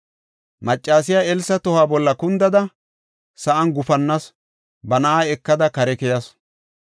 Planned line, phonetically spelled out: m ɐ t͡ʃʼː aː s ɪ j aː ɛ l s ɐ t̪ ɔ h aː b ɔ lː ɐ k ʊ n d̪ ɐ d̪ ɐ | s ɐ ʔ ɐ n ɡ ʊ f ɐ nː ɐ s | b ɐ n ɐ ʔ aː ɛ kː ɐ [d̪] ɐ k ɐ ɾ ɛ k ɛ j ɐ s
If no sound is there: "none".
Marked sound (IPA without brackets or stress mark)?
d̪